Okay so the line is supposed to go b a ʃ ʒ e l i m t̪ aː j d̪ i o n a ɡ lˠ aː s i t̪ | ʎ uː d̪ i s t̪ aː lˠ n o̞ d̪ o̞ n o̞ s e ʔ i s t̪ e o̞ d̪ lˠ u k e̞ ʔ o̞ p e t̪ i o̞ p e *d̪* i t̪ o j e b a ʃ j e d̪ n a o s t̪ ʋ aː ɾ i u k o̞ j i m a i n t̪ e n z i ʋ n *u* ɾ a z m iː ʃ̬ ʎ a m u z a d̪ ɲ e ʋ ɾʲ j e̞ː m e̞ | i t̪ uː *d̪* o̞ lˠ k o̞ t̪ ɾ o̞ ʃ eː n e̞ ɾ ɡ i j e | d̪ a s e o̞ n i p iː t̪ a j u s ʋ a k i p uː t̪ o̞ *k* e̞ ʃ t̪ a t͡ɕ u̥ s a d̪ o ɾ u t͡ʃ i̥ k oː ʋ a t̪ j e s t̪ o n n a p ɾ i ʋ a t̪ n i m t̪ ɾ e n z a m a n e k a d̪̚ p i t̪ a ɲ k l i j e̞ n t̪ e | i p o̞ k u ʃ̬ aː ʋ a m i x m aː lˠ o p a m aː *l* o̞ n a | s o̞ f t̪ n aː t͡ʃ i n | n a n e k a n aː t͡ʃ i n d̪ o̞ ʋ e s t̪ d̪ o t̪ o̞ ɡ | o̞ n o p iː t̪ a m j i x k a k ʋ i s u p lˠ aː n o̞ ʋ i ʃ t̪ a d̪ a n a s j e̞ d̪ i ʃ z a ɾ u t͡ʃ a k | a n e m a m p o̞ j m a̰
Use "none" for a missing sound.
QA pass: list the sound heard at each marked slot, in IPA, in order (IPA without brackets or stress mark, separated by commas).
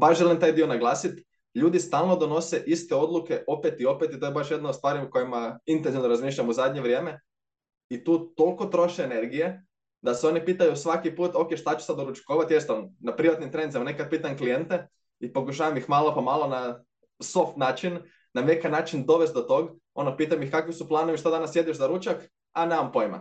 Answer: t̪, o, t̪, k, l